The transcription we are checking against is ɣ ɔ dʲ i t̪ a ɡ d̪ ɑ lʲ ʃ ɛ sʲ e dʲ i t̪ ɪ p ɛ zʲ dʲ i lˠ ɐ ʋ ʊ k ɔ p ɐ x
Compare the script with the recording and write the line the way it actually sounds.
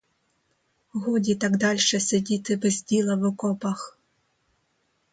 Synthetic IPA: ɣ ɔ dʲ i t̪ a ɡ d̪ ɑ lʲ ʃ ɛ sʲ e dʲ i t̪ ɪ b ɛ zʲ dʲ i lˠ ɐ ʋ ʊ k ɔ p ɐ x